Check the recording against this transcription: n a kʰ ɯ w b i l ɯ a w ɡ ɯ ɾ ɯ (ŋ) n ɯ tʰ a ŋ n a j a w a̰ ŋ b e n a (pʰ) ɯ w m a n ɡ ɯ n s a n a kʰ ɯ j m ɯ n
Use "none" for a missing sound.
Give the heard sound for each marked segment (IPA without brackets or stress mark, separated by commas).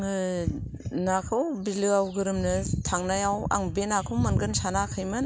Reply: m, kʰ